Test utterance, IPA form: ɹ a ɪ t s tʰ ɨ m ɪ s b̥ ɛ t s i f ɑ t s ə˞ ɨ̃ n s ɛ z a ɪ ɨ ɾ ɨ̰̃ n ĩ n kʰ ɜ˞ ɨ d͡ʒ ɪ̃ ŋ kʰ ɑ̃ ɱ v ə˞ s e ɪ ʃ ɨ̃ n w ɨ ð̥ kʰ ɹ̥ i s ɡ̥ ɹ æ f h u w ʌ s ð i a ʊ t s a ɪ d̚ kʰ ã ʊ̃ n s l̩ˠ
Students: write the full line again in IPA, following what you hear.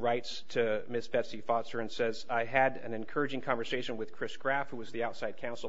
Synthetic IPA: ɹ a ɪ t s tʰ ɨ m ɪ s b̥ ɛ t s i f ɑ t s ə˞ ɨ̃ n s ɛ z a ɪ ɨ ɾ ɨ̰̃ n ɨ̃ n kʰ ɜ˞ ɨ d͡ʒ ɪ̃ ŋ kʰ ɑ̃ ɱ v ə˞ s e ɪ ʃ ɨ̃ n w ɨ ð̥ kʰ ɹ̥ ɪ s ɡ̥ ɹ æ f h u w ʌ z ð i a ʊ t s a ɪ d̚ kʰ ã ʊ̃ n s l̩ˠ

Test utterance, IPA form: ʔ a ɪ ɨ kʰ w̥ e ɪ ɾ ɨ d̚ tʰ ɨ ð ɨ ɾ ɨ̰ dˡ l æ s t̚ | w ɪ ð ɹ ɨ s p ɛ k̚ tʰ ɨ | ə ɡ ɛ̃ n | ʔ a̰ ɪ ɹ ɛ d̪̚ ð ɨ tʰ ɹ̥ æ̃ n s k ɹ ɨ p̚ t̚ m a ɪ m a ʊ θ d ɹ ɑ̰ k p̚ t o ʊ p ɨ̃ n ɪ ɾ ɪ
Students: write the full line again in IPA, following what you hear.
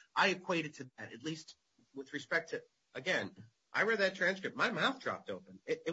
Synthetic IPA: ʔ a ɪ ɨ kʰ w̥ e ɪ ɾ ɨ d̚ tʰ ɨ ð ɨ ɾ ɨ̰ tˡ l i s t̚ | w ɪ ð ɹ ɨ s p ɛ k̚ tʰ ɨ | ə ɡ ɛ̃ n | ʔ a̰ ɪ ɹ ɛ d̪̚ ð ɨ tʰ ɹ̥ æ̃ n s k ɹ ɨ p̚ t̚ m a ɪ m a ʊ θ d ɹ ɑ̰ p̚ t o ʊ p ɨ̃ n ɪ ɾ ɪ

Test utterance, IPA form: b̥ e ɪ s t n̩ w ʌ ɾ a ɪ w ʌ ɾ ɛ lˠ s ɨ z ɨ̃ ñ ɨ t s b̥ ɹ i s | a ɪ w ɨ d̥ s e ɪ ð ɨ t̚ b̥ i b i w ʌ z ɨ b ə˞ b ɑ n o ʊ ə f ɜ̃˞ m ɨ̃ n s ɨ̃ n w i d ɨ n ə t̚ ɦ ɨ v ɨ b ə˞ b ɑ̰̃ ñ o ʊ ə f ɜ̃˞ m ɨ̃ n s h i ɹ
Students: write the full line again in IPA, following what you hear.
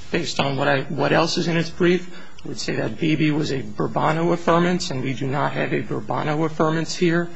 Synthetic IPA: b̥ e ɪ s t n̩ w ʌ ɾ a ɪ w ʌ ɾ ɛ lˠ s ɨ z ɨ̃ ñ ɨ t s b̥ ɹ i f | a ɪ w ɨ d̥ s e ɪ ð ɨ t̚ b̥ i b i w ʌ z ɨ b ə˞ b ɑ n o ʊ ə f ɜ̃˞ m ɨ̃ n s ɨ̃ n w i d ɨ n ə t̚ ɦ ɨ v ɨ b ə˞ b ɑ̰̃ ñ o ʊ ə f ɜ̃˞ m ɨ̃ n s h i ɹ

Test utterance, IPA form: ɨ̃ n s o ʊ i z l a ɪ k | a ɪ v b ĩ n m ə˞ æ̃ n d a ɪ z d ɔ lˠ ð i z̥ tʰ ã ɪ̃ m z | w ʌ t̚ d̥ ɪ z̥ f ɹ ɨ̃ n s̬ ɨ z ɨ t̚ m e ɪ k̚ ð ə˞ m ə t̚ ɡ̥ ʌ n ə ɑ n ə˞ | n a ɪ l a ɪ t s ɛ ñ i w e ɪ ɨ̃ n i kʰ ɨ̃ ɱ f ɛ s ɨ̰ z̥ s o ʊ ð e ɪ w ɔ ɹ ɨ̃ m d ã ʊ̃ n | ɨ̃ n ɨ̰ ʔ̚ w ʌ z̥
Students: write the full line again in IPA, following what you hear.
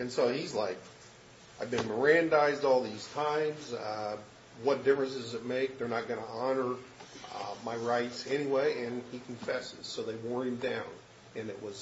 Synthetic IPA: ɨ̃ n s o ʊ i z l a ɪ k | a ɪ v b ɨ̃ n m ə˞ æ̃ n d a ɪ z d ɔ lˠ ð i z̥ tʰ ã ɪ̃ m z | w ʌ t̚ d̥ ɪ f ɹ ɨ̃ n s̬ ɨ z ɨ t̚ m e ɪ k̚ ð ə˞ n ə t̚ ɡ̥ ʌ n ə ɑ n ə˞ | m a ɪ ɹ a ɪ t s ɛ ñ i w e ɪ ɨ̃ n i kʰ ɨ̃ ɱ f ɛ s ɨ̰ z̥ s o ʊ ð e ɪ w ɔ ɹ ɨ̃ m d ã ʊ̃ n | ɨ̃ n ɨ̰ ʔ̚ w ʌ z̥

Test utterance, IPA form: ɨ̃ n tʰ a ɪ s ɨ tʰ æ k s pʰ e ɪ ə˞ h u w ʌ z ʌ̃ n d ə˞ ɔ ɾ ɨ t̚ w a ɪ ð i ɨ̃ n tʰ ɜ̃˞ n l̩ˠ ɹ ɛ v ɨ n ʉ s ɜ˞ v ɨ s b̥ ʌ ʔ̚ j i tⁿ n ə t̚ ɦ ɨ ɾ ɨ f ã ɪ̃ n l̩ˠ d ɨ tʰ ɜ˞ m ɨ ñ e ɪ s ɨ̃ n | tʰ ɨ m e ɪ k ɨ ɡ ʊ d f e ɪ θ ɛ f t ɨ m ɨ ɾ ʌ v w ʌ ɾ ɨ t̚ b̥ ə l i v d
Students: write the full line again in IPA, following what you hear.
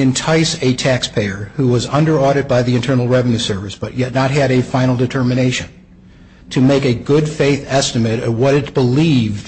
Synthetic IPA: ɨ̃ n tʰ a ɪ s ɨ tʰ æ k s pʰ e ɪ ə˞ h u w ʌ z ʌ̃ n d ə˞ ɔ ɾ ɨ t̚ b a ɪ ð i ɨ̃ n tʰ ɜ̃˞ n l̩ˠ ɹ ɛ v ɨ n ʉ s ɜ˞ v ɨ s b̥ ʌ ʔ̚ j ɛ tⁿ n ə t̚ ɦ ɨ ɾ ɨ f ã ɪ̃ n l̩ˠ d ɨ tʰ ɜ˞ m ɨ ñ e ɪ ʃ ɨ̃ n | tʰ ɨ m e ɪ k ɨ ɡ ʊ d f e ɪ θ ɛ s t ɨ m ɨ ɾ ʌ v w ʌ ɾ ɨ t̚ b̥ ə l i v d

